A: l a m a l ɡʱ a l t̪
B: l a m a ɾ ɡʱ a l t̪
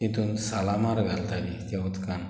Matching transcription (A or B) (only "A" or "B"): B